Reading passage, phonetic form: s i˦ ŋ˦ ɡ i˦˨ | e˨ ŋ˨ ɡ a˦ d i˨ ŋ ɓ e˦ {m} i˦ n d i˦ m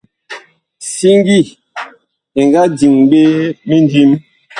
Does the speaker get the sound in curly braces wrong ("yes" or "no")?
no